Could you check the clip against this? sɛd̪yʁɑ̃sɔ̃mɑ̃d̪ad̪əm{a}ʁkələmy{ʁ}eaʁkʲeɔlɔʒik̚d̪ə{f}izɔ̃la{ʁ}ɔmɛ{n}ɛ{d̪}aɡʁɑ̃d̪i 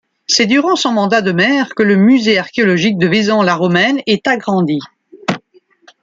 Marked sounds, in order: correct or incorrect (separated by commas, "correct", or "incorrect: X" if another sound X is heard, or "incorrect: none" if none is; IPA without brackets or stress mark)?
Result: incorrect: ɛ, incorrect: z, incorrect: v, correct, correct, incorrect: t̪